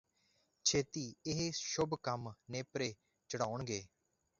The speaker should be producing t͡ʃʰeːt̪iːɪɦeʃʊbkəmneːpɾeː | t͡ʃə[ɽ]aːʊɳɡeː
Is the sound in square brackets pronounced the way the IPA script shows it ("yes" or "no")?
yes